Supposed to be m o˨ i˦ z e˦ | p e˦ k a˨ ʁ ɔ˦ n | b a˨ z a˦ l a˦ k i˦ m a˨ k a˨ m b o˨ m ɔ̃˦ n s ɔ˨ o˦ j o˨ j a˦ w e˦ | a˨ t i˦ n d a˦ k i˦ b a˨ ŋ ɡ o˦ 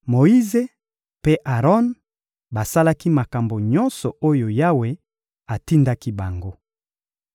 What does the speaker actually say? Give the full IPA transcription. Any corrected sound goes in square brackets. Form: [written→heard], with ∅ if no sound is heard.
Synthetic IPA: m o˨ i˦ z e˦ | p e˦ [k→ʔ] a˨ ʁ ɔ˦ n | b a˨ [z→s] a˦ l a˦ k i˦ m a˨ k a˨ m b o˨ [m→ɲ] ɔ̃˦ n s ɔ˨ o˦ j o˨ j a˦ w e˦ | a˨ t i˦ n d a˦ k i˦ b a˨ ŋ ɡ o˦